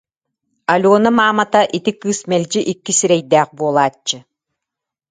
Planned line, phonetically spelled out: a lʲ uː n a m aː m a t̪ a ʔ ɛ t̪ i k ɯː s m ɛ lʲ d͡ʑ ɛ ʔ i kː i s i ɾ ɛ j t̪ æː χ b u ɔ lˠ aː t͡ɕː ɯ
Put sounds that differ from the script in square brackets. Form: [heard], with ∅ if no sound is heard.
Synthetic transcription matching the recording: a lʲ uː n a m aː m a t̪ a ʔ [i] t̪ i k ɯː s m ɛ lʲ d͡ʑ [i] ʔ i kː i s i ɾ ɛ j [d̪] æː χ b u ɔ lˠ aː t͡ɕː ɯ